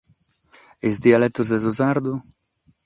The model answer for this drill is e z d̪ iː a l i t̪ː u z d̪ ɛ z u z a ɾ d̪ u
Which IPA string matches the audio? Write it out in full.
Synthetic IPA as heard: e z d̪ i a l ɛ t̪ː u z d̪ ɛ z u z a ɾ d̪ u